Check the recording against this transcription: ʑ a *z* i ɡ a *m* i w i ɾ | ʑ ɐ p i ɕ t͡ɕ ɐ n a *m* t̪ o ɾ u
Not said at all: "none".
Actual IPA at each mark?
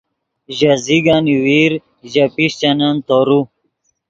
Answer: z, n, n

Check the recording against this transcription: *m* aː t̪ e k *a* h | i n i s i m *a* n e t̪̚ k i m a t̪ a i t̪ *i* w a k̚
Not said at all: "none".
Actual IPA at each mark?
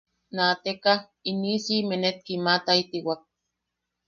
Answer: n, a, e, i

